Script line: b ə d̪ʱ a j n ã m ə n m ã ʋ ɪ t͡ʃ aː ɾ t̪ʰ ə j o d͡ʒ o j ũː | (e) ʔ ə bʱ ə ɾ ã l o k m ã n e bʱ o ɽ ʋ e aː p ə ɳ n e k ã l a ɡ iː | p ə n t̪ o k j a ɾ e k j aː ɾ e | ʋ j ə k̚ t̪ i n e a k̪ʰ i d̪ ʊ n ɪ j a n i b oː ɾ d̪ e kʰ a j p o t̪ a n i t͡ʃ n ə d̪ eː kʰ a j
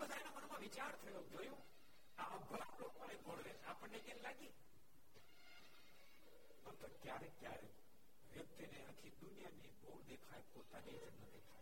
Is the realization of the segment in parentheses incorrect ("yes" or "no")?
yes